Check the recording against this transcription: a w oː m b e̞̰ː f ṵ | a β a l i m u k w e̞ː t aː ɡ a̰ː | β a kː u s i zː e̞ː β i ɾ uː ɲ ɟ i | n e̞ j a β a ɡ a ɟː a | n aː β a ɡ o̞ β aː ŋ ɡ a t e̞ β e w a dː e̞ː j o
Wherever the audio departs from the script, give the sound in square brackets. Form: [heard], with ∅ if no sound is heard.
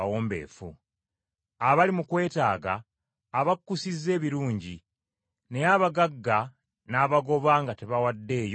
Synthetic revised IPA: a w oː m b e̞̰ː f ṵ | a β a l i m u k w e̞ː t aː ɡ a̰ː | β a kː u s i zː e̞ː β i ɾ uː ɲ ɟ i | n e̞ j a β a ɡ a [ɡː] a | n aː β a ɡ o̞ β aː ŋ ɡ a t e̞ β [a] w a dː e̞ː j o